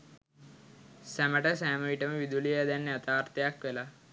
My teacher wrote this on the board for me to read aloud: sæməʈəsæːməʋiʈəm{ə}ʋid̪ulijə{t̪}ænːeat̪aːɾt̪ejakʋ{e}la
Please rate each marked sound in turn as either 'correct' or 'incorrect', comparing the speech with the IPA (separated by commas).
correct, incorrect, correct